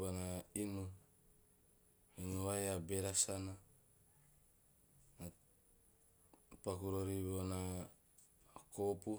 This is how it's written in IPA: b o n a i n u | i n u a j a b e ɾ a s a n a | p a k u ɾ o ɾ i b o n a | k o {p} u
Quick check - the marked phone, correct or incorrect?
correct